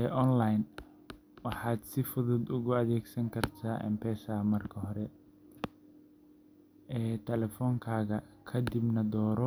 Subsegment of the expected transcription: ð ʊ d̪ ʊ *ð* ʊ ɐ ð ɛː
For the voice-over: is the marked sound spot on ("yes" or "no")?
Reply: no